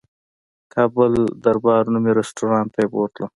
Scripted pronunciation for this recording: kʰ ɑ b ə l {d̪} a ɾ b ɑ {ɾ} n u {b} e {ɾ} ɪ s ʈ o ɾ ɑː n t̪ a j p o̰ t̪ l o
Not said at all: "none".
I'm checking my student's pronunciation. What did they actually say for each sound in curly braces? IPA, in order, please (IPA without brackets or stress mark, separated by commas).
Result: d̪, ɾ, m, ɾ